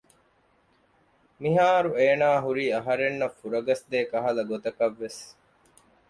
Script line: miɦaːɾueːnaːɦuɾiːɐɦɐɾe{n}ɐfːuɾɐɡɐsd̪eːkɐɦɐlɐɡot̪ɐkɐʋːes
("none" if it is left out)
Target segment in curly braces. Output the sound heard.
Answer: nː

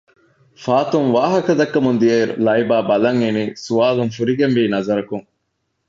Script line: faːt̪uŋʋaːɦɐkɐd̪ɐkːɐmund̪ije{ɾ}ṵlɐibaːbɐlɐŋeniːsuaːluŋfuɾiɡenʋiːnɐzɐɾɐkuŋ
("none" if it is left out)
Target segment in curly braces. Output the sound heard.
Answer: ɾ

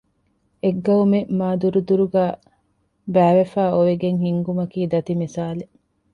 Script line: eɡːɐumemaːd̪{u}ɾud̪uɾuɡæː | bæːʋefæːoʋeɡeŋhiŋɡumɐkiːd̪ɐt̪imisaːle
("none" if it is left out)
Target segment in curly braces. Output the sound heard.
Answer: u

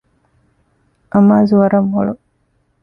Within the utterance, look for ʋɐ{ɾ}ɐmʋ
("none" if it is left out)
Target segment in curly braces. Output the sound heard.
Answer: ɾ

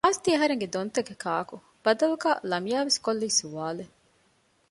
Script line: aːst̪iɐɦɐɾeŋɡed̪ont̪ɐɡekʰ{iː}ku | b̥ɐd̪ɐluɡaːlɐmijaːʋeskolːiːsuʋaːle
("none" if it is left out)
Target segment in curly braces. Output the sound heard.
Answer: aː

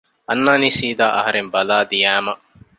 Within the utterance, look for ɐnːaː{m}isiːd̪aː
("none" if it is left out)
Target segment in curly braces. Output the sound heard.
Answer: n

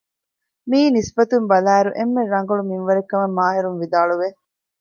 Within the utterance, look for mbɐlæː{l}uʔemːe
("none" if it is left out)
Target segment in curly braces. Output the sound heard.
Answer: ɾ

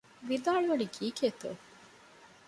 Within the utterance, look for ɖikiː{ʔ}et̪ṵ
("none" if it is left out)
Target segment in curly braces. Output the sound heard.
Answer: k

